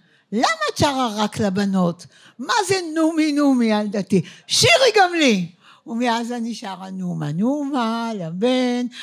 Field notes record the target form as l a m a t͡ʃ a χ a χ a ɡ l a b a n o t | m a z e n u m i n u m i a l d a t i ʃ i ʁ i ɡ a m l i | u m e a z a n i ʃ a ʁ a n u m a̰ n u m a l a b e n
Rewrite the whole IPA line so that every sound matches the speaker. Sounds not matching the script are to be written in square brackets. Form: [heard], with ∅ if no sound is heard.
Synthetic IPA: l a m a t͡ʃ a [ʁ] a [ʁ] a [k] l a b a n o t | m a z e n u m i n u m i a l d a t i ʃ i ʁ i ɡ a m l i | u m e a z a n i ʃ a ʁ a n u m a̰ n u m a l a b e n